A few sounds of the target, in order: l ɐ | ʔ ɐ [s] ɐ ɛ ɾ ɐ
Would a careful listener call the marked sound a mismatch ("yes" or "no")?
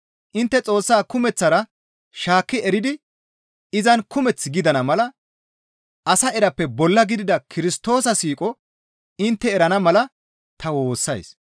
no